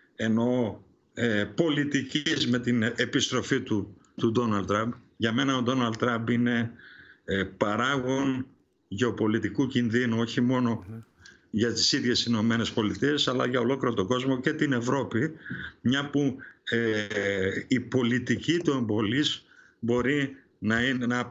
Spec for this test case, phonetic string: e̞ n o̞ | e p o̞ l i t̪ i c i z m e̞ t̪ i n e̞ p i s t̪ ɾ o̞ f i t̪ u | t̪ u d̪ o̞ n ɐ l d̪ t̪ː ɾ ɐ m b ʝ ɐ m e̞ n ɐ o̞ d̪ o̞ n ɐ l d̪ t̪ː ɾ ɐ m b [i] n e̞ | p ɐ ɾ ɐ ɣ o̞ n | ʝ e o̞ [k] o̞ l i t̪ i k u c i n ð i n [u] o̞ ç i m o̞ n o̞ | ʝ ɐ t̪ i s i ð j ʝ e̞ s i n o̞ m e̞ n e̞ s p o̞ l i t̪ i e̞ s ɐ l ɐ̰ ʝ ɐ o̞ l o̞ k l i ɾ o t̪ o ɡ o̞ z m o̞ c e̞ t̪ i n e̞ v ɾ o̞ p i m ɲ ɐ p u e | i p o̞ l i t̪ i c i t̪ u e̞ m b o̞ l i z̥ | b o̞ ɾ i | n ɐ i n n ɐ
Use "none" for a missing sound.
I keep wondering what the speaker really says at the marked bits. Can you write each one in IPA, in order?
i, p, u

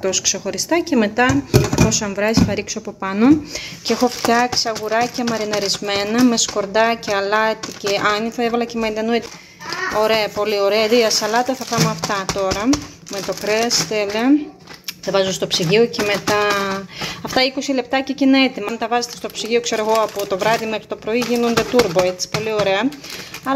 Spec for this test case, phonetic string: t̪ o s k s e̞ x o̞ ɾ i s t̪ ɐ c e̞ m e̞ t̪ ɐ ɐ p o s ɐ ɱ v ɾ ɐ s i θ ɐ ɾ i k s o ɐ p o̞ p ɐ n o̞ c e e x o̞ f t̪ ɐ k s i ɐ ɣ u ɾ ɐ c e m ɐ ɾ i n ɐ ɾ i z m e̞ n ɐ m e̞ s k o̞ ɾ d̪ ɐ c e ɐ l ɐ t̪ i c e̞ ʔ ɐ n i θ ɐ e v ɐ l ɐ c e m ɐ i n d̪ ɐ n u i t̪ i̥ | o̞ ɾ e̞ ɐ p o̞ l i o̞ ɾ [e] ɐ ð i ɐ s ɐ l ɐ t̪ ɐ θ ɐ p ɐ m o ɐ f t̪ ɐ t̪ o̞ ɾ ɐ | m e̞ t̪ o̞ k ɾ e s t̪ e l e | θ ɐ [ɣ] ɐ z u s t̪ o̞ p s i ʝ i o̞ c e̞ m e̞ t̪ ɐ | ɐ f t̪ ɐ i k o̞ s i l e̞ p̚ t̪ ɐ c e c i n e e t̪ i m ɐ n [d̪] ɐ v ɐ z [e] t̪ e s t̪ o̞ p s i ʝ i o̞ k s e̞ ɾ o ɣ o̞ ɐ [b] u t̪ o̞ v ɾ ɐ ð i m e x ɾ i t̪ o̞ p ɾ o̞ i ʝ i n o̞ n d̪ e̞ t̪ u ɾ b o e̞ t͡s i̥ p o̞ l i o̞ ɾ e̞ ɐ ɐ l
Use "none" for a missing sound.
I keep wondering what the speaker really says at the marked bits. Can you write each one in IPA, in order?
e, v, t̪, e, p

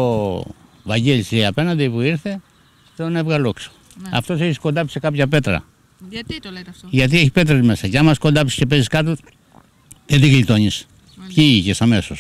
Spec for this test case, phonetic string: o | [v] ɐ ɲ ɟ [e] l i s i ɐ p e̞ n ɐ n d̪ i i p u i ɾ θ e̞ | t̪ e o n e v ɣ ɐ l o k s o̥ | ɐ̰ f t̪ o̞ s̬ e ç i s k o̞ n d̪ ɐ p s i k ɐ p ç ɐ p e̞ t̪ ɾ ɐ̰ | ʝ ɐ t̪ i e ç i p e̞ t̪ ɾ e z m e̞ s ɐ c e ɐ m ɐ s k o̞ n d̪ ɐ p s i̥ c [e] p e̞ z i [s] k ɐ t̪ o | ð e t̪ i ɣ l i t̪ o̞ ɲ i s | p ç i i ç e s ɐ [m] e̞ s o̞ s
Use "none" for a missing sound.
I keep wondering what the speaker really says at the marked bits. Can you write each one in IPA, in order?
v, e, e, s, m

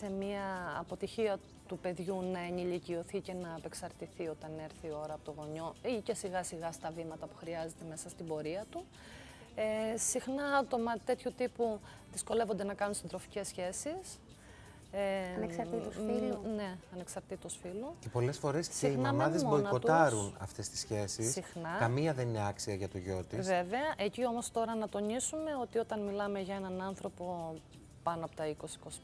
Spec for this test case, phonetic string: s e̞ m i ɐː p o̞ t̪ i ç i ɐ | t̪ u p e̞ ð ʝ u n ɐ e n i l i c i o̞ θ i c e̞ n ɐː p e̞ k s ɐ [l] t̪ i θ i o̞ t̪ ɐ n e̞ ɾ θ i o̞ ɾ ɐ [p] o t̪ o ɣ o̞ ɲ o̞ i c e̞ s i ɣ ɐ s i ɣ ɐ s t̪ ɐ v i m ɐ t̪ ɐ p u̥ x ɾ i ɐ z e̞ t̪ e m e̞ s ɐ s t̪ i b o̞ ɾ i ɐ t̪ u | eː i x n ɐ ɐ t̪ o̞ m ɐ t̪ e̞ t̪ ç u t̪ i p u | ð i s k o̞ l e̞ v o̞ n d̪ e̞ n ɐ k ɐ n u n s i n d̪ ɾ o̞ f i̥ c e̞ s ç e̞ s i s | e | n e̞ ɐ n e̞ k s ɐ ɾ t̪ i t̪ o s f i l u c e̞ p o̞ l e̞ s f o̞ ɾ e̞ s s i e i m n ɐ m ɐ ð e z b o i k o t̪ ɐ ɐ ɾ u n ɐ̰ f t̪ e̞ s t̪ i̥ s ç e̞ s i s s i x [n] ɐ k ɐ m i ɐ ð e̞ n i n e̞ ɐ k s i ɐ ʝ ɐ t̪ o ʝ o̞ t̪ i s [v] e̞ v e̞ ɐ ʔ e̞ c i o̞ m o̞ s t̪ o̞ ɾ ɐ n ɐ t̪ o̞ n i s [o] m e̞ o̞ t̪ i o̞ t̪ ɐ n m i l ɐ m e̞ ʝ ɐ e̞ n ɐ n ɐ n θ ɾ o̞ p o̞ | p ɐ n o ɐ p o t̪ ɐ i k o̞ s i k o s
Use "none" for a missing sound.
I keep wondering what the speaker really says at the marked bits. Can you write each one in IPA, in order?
ɾ, p, n, v, u

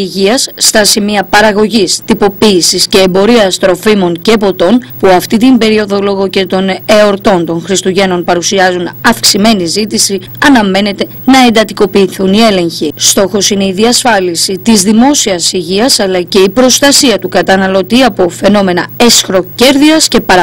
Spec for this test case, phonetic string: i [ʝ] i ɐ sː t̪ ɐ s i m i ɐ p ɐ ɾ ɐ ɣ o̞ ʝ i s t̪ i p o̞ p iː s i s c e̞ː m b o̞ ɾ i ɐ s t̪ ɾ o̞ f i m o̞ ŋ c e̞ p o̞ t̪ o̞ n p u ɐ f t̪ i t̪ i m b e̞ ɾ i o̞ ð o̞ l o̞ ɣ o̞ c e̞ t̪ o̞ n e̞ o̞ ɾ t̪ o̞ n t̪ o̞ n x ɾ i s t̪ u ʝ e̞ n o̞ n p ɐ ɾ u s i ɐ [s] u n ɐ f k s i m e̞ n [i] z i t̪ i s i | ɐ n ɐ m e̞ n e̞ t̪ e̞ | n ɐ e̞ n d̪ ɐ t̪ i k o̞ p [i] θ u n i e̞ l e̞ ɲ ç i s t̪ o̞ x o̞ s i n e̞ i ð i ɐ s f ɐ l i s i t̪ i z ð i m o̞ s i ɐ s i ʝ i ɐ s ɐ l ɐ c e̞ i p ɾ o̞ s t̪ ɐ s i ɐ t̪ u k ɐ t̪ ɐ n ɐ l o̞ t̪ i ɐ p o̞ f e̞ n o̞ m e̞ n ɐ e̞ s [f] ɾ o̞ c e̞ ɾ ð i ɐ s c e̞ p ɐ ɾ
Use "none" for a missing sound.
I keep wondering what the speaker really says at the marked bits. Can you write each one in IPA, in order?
ʝ, z, i, iː, x

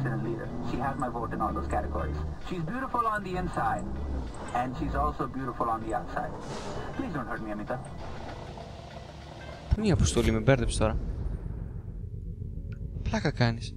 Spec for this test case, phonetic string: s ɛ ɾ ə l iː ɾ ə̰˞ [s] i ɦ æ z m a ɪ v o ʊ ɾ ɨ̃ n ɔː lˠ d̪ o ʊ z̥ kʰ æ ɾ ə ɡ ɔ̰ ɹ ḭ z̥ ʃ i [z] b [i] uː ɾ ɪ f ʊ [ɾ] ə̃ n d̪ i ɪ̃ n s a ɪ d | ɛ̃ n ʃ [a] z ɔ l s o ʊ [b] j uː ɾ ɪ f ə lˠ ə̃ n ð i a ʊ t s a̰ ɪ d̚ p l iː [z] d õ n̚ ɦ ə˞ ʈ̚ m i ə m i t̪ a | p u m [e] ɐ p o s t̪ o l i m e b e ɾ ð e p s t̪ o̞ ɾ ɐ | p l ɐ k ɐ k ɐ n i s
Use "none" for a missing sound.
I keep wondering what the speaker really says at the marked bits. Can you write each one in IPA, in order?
ʃ, z, j, l, i, b, z, i

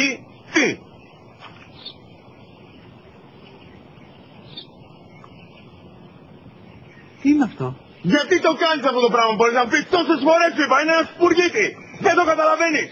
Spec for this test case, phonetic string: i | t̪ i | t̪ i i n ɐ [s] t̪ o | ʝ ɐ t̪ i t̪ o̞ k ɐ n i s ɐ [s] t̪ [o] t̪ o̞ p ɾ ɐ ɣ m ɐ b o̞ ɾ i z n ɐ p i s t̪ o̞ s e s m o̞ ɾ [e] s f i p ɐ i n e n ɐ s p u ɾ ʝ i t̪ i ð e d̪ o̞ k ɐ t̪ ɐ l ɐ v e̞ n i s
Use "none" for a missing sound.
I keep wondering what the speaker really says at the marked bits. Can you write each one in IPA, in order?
f, f, o, e

